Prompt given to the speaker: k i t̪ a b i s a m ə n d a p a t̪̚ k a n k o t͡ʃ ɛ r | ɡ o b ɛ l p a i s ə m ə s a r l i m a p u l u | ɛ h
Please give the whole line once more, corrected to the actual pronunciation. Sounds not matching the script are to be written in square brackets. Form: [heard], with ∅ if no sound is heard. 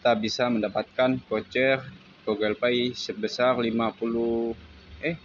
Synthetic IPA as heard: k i t̪ a b i s a m ə n d a p a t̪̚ k a n k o t͡ʃ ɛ r | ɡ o [ɡ] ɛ l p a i s ə [b] ə s a r l i m a p u l u | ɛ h